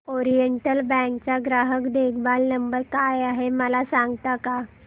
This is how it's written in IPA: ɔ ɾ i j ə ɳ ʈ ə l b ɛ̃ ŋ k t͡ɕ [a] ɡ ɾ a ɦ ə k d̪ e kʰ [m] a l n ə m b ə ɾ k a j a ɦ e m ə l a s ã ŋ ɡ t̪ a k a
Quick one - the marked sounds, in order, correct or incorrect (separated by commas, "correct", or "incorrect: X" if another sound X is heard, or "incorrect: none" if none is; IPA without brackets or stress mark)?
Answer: correct, incorrect: b